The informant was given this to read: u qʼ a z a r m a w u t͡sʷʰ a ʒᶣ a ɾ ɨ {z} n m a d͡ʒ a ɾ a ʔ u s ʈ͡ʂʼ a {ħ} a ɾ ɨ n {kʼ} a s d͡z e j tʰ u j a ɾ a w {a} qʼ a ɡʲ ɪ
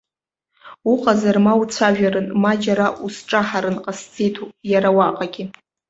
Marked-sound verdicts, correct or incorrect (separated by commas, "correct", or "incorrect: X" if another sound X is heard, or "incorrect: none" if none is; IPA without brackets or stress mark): incorrect: none, correct, incorrect: qʼ, correct